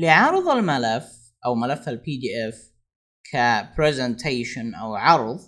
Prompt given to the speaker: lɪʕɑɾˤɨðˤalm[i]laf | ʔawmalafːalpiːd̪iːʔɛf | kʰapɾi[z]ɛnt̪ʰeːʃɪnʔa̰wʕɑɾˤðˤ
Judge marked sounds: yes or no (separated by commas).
no, yes